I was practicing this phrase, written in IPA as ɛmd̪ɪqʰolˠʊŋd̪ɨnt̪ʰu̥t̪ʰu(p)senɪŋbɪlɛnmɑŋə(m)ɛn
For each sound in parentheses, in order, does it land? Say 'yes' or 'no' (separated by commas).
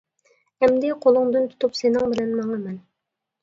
yes, yes